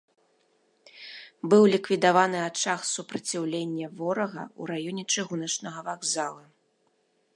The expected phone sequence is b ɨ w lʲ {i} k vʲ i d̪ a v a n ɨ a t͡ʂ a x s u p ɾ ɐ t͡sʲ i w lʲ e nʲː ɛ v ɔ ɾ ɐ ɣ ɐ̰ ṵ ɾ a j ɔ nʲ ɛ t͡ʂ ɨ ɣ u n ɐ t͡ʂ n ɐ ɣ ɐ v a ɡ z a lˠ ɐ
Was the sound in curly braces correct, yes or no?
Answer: yes